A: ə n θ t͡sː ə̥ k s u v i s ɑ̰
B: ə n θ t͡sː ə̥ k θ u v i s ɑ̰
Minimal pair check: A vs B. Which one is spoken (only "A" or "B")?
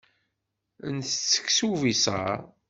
A